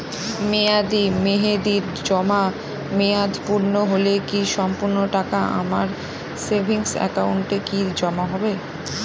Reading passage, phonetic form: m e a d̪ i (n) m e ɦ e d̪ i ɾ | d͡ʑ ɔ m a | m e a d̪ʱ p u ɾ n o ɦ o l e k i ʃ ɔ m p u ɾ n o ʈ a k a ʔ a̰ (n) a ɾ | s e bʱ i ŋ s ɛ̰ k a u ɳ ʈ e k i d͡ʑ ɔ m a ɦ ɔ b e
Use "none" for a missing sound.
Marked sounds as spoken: none, m

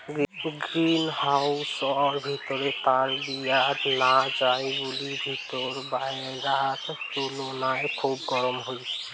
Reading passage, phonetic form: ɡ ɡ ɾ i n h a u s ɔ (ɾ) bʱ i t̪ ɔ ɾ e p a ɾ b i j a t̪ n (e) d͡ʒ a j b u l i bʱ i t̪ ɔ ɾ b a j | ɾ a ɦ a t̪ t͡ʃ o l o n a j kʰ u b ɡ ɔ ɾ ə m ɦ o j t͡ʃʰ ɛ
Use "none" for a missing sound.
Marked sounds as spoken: ɾ, a

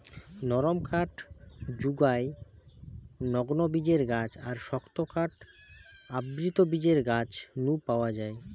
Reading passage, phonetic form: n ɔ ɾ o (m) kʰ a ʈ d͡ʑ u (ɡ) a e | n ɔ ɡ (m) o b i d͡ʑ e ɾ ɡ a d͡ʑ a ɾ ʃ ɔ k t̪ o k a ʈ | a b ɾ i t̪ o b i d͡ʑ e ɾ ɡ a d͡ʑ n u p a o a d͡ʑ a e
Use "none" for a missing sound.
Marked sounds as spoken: m, ɡ, n

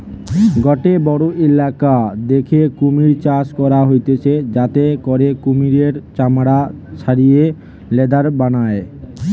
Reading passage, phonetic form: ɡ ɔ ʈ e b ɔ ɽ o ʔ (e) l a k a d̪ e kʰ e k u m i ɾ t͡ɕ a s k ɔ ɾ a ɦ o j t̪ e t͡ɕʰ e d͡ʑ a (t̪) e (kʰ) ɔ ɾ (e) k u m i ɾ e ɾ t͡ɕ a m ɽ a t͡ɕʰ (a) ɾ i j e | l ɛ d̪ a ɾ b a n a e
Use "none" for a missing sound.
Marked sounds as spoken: e, t̪, k, e, a

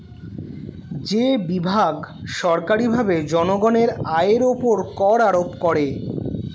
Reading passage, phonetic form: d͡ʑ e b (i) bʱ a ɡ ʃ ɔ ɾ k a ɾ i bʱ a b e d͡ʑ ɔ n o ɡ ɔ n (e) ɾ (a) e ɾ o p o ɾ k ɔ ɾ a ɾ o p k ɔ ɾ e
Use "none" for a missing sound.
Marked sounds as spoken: i, e, a

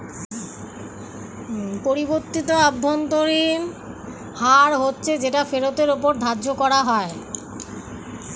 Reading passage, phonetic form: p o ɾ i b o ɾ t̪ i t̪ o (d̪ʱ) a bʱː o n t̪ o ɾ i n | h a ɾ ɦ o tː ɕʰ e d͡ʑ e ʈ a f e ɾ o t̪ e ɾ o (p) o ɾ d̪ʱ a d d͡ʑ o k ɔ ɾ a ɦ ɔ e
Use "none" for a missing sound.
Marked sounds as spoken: none, p

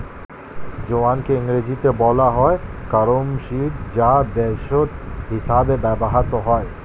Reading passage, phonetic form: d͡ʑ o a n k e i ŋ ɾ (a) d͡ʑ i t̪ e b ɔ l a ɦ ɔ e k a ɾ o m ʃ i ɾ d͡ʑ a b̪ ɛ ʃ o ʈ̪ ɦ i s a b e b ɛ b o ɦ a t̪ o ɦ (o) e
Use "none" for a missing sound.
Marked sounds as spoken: e, ɔ

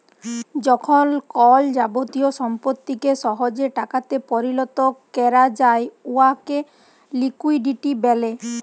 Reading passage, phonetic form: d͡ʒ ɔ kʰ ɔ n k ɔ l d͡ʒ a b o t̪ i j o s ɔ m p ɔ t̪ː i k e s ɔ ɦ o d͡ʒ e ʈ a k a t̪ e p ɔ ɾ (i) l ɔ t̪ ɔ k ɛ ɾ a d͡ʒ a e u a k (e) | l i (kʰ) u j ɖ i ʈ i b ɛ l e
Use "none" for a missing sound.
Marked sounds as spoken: i, e, k

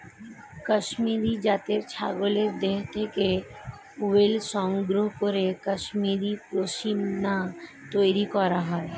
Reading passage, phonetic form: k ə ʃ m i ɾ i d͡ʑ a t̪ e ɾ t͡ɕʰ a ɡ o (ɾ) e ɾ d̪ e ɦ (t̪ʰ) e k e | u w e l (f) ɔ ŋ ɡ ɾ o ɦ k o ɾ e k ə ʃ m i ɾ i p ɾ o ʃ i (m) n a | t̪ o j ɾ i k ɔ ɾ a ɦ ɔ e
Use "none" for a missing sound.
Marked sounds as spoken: l, t̪ʰ, ʃ, m

